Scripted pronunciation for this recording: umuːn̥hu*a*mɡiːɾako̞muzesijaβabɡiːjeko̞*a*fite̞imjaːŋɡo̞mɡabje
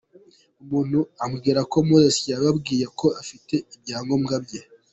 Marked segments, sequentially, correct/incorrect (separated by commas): correct, correct